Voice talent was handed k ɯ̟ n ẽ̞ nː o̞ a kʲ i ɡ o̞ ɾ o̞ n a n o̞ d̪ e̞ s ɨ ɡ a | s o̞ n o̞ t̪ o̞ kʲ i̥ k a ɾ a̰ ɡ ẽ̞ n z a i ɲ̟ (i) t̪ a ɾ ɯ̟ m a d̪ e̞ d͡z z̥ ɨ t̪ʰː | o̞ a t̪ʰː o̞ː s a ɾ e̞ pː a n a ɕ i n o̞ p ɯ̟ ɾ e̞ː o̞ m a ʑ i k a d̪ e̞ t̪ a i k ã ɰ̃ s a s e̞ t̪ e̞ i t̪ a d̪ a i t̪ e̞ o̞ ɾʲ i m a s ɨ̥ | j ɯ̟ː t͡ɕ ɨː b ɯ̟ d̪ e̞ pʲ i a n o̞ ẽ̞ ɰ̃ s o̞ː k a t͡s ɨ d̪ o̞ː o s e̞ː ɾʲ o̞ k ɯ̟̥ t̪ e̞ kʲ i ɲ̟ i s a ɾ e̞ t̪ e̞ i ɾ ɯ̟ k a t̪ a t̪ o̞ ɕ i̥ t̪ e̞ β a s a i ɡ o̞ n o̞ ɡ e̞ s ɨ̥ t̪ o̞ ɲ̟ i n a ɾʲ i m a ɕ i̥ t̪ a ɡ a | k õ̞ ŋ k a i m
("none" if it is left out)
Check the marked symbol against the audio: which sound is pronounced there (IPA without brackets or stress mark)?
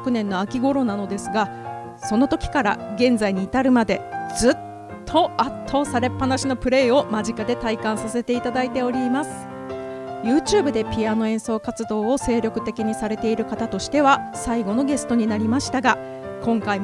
iː